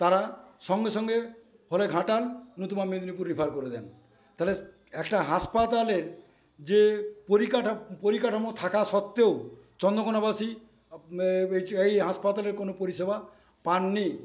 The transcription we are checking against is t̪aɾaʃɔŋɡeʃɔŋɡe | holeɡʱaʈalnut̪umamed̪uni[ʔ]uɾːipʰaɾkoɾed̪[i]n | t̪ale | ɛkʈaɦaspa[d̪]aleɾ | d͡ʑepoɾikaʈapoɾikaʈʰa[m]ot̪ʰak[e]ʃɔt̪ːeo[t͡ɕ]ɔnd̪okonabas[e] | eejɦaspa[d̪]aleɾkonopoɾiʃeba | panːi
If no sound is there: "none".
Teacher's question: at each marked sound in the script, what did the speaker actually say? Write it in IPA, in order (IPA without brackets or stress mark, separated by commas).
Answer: p, ɛ, t̪, m, a, t͡ɕ, i, t̪